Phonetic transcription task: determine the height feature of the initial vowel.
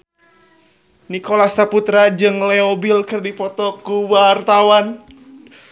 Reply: high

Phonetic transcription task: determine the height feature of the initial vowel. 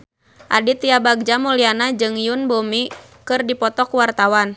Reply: low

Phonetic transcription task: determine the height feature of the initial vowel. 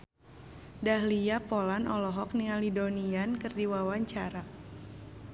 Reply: low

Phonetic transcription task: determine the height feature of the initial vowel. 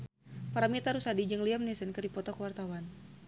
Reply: low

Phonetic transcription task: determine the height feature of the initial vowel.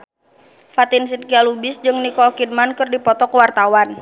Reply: low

